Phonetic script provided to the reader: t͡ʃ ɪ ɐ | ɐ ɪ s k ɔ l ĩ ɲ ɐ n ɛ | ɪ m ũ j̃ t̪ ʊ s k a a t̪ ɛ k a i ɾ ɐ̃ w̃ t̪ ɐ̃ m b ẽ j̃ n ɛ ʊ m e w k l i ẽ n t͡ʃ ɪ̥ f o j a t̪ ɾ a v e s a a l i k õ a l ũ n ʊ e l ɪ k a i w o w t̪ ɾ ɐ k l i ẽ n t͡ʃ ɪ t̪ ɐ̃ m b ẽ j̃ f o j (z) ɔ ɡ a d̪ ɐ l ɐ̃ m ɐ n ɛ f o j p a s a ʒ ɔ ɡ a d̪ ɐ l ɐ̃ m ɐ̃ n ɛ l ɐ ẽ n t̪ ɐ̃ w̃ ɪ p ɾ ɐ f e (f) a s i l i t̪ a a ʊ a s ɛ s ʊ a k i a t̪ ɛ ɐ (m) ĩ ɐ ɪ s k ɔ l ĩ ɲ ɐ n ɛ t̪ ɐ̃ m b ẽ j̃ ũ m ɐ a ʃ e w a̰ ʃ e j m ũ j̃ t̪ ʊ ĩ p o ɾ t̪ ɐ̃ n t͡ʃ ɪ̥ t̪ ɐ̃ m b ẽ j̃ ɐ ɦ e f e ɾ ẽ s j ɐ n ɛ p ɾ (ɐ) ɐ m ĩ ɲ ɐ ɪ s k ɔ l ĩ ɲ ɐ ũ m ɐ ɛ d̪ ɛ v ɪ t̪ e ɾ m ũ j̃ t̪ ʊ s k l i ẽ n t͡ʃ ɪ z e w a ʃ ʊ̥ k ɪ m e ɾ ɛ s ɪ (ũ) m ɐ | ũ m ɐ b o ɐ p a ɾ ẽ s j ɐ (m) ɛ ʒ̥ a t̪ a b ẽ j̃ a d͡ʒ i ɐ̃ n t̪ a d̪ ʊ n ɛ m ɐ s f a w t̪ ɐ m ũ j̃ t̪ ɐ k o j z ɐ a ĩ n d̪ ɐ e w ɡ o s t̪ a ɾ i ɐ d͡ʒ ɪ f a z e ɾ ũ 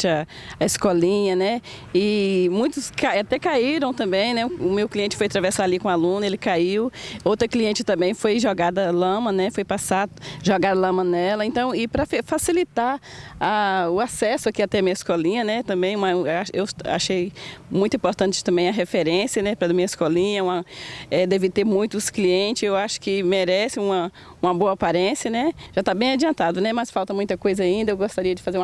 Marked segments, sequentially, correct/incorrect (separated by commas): incorrect, correct, correct, correct, correct, incorrect